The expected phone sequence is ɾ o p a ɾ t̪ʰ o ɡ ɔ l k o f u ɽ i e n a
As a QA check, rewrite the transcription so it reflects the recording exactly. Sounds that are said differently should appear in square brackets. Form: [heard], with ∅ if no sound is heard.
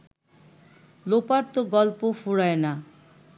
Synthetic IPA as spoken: [l] o p a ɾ [t̪] o ɡ ɔ l [p] o f u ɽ [a] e n a